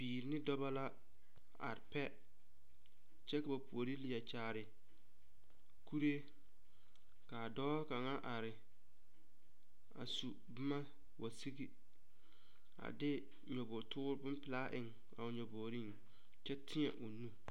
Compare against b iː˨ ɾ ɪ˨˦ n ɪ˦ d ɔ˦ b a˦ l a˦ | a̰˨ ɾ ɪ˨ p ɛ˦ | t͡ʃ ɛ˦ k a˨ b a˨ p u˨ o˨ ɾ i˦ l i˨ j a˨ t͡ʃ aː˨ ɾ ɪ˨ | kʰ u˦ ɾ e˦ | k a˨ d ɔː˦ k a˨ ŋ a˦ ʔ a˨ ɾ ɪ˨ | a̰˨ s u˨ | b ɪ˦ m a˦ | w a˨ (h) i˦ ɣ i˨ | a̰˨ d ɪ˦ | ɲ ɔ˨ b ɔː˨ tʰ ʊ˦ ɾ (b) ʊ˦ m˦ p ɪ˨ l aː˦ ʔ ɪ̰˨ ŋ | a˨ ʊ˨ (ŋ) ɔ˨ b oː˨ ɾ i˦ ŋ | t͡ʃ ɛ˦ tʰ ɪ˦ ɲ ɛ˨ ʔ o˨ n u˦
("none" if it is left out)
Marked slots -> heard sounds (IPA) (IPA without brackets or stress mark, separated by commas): s, b, ɲ